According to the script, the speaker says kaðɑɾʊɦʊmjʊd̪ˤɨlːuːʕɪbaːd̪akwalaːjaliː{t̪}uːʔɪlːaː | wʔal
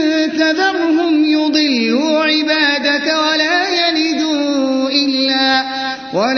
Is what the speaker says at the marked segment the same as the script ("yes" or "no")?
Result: no